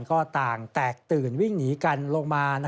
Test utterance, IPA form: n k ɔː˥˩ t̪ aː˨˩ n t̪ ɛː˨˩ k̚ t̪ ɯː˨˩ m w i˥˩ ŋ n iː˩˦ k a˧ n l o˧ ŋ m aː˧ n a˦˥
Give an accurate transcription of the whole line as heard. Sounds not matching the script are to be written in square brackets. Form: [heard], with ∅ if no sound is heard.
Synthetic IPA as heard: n k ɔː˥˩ t̪ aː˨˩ [ŋ] t̪ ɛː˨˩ k̚ t̪ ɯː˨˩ [n] w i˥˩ ŋ n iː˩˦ k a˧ n l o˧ ŋ m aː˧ n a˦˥